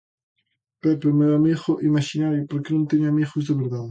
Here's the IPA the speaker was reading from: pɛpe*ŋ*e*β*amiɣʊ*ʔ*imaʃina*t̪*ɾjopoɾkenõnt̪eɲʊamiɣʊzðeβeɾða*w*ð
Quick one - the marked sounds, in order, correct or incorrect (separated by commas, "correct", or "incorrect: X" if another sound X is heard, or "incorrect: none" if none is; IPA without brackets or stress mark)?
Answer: incorrect: m, incorrect: w, correct, incorrect: none, incorrect: none